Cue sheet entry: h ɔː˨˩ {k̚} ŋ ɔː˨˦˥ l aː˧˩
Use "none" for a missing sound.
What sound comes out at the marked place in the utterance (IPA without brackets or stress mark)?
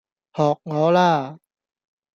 k̚